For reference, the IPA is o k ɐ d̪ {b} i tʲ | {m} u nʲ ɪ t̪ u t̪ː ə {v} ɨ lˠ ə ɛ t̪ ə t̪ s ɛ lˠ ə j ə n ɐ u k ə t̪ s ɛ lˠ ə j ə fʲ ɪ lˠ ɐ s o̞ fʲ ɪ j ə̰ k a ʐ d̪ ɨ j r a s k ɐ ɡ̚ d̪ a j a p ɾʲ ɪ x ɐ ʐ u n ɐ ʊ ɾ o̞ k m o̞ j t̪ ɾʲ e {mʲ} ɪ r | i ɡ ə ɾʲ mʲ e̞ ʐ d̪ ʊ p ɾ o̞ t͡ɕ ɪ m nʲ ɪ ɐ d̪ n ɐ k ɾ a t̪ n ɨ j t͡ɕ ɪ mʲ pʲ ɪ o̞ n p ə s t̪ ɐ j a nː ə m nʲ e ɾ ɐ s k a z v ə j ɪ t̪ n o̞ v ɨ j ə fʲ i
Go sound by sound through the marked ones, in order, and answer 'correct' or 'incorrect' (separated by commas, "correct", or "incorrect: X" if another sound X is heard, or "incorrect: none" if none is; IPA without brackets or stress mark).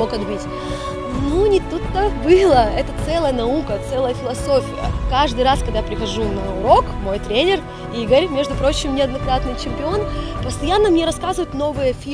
correct, incorrect: n, incorrect: b, incorrect: nʲ